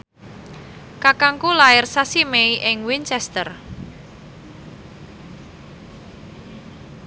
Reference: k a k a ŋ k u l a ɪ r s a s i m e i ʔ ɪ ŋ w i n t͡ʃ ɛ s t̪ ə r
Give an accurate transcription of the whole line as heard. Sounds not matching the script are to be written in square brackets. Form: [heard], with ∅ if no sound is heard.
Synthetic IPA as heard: k a k a ŋ k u l a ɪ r s a s i m e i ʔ ɪ ŋ w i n t͡ʃ ɛ s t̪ ə r